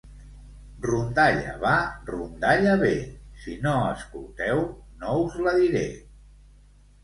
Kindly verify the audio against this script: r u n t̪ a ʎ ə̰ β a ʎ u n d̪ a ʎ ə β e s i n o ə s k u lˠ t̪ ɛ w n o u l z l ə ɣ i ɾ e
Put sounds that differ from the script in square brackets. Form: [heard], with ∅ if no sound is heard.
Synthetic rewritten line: r u n [d̪] a ʎ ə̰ β a [r] u n d̪ a ʎ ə β e s i n o ə s k u lˠ t̪ ɛ w n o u [∅] z l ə [ð] i ɾ e